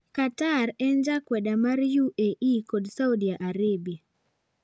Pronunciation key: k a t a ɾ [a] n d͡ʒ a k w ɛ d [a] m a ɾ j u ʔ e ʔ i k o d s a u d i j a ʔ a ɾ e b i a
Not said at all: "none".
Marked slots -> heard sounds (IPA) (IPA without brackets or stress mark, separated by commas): ɛ, a